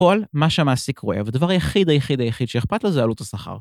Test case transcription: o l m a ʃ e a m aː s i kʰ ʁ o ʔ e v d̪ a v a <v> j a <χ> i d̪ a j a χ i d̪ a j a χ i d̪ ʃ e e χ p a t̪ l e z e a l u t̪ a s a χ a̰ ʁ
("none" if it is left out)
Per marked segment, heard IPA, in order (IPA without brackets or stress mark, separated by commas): ʁ, χ